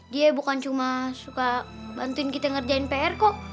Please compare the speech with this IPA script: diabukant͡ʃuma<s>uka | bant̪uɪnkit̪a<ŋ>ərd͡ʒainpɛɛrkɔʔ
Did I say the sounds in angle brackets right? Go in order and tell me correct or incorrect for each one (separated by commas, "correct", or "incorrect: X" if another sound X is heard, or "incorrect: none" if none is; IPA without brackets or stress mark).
correct, correct